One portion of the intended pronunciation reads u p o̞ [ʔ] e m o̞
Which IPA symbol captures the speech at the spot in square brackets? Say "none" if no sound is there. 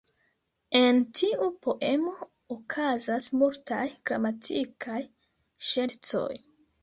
ʔ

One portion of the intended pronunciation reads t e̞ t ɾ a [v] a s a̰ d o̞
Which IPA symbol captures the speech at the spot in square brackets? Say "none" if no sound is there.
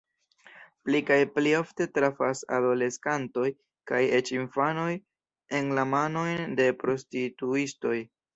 f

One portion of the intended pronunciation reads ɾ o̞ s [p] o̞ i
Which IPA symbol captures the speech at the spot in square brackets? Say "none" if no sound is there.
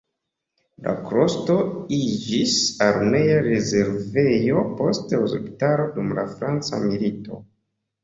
t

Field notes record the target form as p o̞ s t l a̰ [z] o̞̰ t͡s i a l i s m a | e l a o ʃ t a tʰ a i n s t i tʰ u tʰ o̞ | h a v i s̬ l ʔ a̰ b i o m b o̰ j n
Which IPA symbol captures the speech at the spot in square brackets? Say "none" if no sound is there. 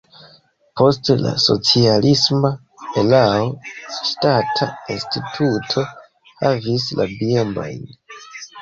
s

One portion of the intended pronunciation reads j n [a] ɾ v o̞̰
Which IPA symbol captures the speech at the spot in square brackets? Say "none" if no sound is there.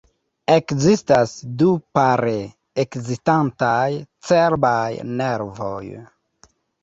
e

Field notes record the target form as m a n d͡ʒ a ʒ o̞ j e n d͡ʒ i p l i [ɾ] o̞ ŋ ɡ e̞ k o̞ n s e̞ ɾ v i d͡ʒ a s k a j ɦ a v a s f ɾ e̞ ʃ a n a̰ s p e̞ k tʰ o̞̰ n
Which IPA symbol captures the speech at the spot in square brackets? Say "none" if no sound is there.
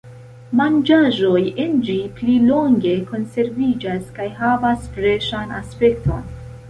l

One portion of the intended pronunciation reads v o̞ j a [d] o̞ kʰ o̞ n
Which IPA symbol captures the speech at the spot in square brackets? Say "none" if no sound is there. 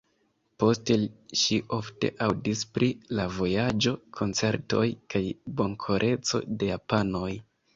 d͡ʒ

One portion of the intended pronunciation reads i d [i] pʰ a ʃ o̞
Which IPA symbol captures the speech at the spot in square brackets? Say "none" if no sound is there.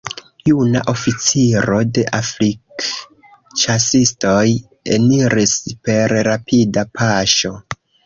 a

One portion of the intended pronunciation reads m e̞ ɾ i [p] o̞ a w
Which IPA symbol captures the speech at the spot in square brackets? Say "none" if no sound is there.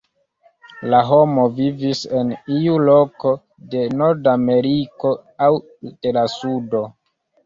k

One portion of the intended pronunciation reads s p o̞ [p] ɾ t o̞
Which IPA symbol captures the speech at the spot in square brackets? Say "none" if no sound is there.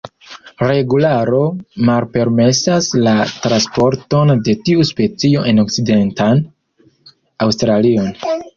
none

